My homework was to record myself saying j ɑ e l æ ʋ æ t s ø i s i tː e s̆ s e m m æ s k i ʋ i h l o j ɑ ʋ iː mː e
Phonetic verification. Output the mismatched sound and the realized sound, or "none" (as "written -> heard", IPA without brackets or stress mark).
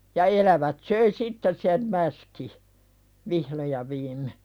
none